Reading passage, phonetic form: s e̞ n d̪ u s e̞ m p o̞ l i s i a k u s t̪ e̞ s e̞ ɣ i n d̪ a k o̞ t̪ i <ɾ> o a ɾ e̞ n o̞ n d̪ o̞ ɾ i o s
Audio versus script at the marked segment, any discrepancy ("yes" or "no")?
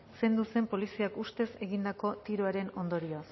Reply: no